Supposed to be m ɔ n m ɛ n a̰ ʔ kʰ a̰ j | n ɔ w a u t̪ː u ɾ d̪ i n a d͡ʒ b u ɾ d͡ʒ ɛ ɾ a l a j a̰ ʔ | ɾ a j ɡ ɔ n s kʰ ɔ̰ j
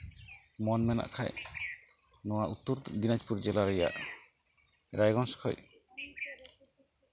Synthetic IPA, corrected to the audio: m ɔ n m ɛ n a̰ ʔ kʰ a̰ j | n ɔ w a u t̪ː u ɾ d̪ i n a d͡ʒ p u ɾ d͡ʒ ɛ l a ɾ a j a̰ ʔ | ɾ a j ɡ ɔ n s kʰ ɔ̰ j